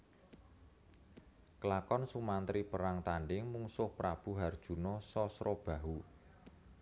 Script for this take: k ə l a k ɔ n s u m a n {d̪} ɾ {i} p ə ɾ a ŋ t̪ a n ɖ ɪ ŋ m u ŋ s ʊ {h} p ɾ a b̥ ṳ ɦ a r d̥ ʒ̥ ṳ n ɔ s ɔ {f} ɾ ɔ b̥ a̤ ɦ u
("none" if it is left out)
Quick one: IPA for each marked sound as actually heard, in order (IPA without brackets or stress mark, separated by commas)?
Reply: t̪, i, h, s